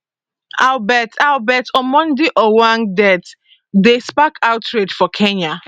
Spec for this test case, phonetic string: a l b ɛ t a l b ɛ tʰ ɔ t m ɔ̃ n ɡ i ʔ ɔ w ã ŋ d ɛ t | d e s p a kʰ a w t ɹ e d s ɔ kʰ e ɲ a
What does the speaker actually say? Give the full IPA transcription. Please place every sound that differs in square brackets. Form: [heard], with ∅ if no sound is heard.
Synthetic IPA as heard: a l b ɛ t a l b ɛ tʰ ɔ [∅] m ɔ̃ n [d] i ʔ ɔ w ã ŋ d ɛ t | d e s p a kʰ a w t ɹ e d [f] ɔ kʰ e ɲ a